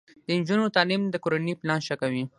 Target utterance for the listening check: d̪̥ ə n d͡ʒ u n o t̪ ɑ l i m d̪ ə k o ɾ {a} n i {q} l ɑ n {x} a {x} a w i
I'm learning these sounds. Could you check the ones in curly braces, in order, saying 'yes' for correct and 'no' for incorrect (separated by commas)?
yes, no, no, no